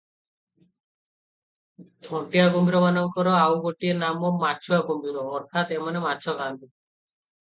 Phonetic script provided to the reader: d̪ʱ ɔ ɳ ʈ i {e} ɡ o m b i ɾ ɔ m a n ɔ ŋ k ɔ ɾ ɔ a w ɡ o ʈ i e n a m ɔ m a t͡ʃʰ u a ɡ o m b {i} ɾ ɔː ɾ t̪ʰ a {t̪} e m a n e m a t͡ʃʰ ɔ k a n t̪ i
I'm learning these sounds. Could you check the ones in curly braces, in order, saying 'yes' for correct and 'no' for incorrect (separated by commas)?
no, yes, yes